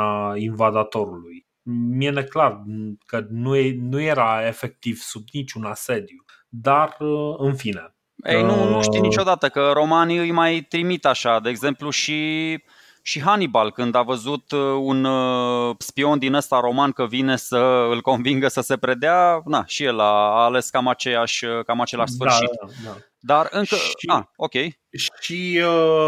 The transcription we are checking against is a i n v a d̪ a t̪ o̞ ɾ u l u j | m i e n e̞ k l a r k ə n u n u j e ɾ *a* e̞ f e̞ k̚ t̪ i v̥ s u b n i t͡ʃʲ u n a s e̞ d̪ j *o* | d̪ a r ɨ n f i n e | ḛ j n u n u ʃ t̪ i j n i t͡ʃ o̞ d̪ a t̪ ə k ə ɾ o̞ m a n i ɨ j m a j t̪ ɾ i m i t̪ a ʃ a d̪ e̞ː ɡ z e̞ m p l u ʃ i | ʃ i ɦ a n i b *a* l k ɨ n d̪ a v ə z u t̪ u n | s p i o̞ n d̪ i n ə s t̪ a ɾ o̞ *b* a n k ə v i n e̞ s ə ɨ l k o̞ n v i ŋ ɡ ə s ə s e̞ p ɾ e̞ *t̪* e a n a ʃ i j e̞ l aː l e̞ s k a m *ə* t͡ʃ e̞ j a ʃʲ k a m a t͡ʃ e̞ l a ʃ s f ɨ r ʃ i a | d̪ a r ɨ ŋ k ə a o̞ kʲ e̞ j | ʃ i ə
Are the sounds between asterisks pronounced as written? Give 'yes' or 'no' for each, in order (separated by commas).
yes, no, yes, no, no, no